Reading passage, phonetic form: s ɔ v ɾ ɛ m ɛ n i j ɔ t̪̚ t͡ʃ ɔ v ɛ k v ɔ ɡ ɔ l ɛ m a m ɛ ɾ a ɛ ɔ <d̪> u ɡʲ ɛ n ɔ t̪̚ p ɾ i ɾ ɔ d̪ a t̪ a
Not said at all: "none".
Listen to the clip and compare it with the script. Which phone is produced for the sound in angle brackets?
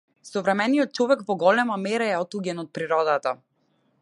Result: t̪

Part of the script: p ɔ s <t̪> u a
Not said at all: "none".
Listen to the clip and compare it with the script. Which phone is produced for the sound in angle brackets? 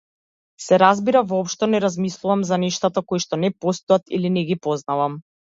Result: t̪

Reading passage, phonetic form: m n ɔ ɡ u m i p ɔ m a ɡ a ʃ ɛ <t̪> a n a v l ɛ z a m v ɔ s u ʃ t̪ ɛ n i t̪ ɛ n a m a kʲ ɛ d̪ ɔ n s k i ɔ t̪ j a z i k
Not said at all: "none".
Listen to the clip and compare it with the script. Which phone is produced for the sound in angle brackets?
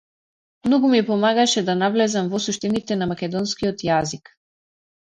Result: d̪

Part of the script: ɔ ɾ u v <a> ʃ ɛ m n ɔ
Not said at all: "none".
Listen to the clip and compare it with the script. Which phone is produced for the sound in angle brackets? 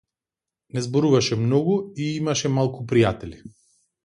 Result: a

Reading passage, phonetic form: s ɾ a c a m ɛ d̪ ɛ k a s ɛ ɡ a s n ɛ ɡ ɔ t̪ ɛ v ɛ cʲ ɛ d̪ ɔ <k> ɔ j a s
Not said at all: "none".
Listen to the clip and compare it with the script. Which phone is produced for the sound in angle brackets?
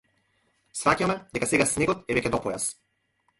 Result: p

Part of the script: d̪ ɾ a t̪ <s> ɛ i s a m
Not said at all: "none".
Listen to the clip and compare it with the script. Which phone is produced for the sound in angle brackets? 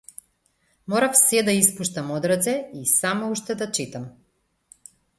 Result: s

